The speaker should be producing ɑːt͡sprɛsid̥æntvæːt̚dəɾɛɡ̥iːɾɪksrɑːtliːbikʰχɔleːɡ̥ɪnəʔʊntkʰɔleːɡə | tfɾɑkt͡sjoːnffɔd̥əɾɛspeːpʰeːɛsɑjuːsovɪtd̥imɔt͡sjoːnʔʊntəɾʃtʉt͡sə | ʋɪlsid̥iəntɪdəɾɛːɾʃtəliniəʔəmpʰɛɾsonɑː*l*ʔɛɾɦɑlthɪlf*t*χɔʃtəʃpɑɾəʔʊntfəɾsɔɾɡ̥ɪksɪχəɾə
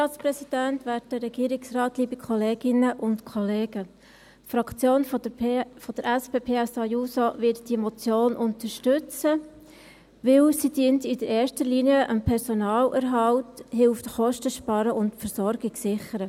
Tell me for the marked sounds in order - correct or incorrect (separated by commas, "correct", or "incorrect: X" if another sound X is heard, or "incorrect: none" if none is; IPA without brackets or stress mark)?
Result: correct, correct